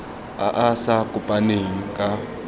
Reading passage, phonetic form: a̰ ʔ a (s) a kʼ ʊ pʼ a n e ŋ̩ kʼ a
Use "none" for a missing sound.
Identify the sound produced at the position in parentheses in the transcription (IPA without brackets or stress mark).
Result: s